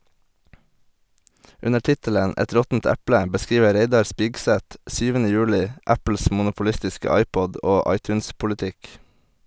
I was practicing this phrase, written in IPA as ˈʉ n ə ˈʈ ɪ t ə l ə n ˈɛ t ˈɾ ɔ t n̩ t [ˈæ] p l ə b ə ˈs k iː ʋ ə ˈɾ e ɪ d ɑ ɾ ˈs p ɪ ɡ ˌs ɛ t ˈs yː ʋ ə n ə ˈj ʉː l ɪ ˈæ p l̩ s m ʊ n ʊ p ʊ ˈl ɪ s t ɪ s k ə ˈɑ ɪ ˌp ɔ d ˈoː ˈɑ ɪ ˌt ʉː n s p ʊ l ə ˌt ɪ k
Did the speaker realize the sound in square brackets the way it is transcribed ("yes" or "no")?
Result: yes